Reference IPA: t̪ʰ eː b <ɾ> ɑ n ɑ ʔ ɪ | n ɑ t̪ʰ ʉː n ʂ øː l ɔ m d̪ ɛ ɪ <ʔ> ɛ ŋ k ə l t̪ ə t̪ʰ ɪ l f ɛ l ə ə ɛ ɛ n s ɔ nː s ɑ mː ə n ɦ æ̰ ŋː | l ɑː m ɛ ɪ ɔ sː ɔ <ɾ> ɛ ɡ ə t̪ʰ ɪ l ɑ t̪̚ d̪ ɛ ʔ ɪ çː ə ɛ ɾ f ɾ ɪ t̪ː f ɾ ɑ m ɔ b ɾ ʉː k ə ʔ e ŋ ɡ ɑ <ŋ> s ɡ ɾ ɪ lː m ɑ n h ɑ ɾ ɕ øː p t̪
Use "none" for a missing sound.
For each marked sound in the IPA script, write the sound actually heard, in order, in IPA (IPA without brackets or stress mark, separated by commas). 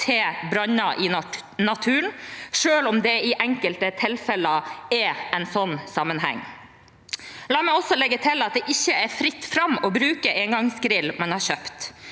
ɾ, ʔ, l, ŋ